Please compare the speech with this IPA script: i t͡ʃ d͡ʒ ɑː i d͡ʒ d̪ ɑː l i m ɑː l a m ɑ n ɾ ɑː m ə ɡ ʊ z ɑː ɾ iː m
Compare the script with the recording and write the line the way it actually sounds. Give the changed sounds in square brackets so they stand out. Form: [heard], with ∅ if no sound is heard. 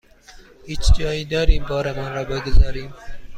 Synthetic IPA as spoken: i t͡ʃ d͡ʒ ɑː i [∅] d̪ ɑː [ɾ] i [b] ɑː [ɾ] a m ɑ n ɾ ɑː [b] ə ɡ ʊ z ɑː ɾ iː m